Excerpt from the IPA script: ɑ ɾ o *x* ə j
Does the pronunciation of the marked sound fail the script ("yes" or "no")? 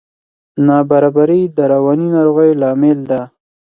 yes